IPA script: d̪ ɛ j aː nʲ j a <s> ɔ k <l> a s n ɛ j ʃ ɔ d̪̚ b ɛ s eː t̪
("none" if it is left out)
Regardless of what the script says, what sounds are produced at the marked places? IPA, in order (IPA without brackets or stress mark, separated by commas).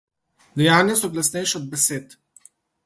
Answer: s, l